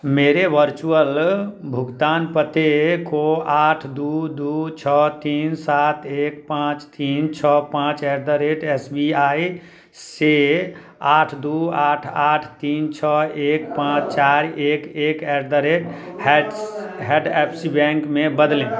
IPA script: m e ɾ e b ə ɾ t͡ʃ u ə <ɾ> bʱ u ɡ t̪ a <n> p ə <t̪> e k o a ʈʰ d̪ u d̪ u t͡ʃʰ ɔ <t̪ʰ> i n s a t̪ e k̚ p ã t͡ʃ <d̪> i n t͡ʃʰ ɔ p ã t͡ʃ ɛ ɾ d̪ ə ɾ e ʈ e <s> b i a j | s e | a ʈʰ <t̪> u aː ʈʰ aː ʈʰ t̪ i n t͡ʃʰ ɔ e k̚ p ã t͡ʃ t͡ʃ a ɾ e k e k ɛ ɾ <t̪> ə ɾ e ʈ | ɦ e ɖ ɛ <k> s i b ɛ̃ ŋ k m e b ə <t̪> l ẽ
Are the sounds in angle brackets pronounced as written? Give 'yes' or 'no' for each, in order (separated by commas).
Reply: no, yes, yes, no, no, yes, no, no, no, no